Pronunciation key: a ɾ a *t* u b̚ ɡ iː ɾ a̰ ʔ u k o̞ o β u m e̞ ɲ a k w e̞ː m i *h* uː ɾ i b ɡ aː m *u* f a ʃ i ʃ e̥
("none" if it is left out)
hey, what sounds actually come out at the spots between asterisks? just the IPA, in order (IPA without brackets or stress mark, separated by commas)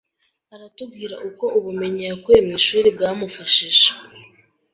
t, ʃ, u